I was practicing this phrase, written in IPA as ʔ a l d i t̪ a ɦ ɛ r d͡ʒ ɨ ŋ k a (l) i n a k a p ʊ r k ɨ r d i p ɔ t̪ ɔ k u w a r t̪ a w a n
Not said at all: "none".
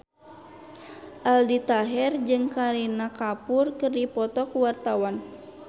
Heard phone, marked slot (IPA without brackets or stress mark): ɾ